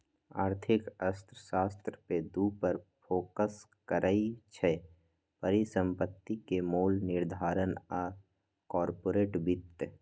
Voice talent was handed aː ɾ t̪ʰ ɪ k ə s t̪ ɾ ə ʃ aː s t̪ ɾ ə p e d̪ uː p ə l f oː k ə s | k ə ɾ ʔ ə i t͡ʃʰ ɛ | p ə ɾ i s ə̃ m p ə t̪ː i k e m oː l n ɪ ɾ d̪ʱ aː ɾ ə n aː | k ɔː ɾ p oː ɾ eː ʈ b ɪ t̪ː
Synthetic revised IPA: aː ɾ t̪ʰ ɪ k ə s t̪ ɾ ə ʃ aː s t̪ ɾ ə p e d̪ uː p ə ɾ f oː k ə s | k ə ɾ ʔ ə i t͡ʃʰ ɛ | p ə ɾ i s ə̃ m p ə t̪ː i k e m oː l n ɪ ɾ d̪ʱ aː ɾ ə n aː | k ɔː ɾ p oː ɾ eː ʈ b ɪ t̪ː